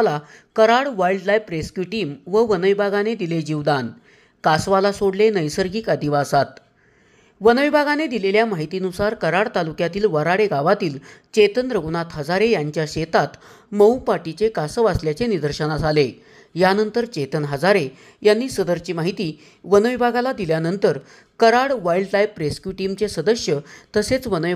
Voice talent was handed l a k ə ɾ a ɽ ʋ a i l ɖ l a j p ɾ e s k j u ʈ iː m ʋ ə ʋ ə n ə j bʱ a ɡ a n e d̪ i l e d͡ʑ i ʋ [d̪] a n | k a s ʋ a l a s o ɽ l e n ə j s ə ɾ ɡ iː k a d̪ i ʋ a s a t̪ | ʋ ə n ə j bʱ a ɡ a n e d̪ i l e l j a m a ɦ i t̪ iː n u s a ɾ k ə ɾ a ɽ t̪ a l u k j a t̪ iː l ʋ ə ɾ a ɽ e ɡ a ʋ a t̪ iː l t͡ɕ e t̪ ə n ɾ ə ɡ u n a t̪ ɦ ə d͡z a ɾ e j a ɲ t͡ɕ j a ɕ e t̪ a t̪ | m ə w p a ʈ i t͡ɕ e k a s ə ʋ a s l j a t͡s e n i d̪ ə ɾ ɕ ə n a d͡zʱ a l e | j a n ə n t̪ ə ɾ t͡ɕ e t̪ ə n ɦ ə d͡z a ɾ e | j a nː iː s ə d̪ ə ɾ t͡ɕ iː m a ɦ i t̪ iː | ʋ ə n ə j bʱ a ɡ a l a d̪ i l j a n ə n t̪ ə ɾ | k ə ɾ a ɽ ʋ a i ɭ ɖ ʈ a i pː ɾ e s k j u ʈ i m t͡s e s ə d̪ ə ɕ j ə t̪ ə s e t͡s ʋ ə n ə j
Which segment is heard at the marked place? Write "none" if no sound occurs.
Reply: d̪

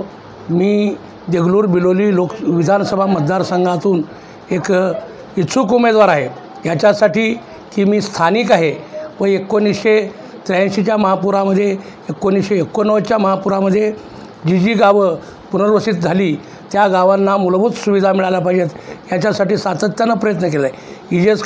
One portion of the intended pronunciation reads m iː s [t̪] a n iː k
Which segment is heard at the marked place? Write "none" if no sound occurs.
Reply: t̪ʰ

